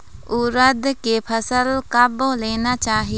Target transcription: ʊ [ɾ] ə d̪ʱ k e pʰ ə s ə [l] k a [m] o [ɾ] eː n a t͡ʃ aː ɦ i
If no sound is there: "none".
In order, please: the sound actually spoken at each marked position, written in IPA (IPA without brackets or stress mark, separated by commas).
ɾ, l, b, l